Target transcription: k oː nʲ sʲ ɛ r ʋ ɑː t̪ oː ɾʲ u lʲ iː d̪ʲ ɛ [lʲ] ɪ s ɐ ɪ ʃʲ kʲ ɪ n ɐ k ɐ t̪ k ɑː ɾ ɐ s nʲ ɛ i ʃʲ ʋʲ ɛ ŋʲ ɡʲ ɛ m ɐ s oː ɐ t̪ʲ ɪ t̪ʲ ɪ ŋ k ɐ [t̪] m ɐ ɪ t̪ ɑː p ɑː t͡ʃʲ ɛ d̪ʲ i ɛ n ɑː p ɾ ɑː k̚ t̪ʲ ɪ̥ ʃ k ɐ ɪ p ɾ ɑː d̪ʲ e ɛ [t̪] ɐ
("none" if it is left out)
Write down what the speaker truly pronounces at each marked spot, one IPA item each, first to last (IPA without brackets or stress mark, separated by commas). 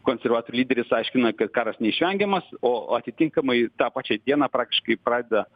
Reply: ɾʲ, none, d̪